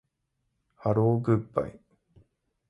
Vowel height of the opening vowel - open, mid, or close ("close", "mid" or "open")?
open